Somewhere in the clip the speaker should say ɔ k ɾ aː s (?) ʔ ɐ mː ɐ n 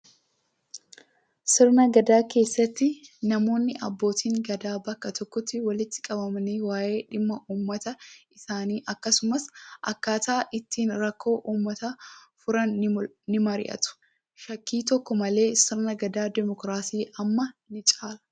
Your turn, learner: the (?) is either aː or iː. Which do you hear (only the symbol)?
iː